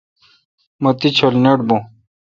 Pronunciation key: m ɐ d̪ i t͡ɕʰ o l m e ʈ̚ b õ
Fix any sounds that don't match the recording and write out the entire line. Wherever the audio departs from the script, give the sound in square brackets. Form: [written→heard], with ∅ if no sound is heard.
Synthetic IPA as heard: m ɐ [d̪→t̪] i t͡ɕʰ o l [m→n] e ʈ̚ b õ